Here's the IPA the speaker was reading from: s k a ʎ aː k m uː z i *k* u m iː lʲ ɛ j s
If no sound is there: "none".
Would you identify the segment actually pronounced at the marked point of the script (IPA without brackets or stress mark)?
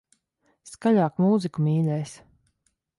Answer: k